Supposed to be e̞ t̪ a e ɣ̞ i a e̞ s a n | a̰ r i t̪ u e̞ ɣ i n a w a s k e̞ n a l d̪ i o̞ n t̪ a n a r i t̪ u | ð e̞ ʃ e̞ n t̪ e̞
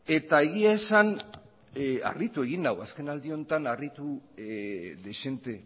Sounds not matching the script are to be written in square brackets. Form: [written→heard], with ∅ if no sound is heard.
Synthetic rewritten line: e̞ t̪ a e ɣ̞ i a e̞ s a n | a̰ r i t̪ u e̞ ɣ i n a w a s k e̞ n a l d̪ i o̞ n t̪ a n a r i t̪ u | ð e̞ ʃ e̞ n t̪ e̞